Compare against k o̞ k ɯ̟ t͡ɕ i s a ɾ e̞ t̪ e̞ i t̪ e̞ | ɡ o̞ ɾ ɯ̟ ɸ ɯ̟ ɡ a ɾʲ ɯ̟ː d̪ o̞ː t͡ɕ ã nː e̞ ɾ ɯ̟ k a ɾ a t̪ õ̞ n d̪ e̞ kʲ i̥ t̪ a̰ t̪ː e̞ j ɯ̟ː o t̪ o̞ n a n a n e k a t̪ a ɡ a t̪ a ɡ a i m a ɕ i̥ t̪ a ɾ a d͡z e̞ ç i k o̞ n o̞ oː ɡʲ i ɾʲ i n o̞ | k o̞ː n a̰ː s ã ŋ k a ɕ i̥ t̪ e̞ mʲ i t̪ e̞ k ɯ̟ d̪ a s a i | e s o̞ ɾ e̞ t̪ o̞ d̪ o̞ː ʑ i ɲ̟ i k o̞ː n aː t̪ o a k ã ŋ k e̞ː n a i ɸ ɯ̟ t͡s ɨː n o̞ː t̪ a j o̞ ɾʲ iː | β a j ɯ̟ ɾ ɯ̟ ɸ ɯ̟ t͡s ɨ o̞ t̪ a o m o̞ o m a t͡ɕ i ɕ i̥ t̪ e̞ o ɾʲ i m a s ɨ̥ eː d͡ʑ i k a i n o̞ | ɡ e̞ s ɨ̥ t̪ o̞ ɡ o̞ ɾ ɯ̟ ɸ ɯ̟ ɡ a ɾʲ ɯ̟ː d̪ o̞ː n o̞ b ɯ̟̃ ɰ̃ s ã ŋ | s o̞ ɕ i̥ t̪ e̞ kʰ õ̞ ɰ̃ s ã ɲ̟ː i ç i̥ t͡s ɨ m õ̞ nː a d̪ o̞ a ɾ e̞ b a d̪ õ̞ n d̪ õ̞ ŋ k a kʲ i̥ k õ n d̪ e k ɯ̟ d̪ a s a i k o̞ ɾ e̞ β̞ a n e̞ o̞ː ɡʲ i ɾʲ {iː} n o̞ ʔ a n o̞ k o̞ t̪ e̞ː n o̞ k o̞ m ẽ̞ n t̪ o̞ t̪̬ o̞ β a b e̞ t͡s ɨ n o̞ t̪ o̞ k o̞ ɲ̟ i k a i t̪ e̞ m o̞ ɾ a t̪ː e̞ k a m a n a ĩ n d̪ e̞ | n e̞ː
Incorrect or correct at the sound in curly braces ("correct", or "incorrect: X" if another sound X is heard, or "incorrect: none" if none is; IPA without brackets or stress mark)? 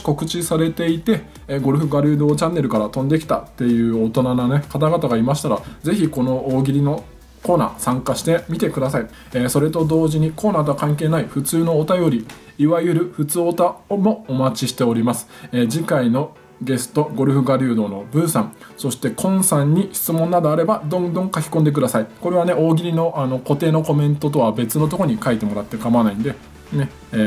incorrect: i